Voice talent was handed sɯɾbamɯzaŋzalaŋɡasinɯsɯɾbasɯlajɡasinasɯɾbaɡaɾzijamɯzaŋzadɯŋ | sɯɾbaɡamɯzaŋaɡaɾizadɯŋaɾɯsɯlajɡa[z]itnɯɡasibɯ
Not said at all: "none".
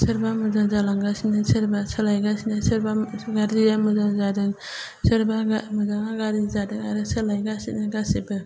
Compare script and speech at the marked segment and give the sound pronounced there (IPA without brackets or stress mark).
s